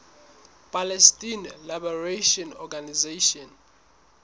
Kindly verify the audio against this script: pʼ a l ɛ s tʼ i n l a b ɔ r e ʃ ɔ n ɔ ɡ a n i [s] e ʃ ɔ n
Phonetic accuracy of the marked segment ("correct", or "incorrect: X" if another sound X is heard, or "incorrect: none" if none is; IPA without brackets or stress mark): incorrect: z